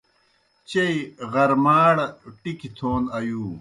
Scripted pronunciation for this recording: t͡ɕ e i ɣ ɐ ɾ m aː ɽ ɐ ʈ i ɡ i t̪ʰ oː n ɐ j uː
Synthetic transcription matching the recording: t͡ɕ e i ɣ ɐ ɾ m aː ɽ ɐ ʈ i k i t̪ʰ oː n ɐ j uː

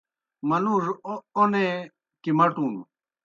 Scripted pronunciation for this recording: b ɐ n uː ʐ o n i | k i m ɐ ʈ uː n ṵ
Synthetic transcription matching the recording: m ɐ n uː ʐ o n e | k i m ɐ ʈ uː n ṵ

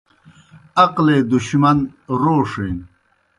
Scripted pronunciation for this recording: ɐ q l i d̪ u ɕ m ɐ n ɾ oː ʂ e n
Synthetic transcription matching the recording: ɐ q l e d̪ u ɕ m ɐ n ɾ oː ʂ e n

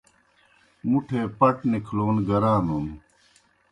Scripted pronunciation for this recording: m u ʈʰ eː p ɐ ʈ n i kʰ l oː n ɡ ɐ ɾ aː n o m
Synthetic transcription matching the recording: m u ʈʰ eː p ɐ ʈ n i kʰ l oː n ɡ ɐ ɾ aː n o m

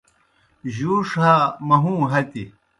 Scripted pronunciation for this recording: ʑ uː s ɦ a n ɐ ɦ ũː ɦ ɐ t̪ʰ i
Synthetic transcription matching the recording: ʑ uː ʂ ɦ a m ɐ ɦ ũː ɦ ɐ t̪ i

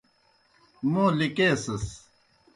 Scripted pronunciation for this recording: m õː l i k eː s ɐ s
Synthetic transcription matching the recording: m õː l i k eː s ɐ s

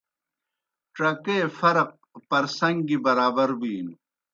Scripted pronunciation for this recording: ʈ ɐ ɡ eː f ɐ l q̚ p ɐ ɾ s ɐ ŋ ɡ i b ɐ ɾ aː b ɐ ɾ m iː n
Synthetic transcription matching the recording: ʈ ɐ k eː f ɐ ɾ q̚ p ɐ ɾ s ɐ ŋ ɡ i b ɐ ɾ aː b ɐ ɾ b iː n

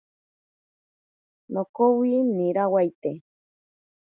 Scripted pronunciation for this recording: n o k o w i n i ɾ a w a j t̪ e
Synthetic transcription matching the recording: n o k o w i n i ɾ a w a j t̪ e

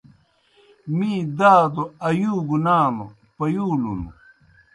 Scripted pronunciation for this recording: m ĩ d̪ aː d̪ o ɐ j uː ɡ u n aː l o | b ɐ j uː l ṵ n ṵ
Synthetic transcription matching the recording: m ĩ d̪ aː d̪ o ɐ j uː ɡ u n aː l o | p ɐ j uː l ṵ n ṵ

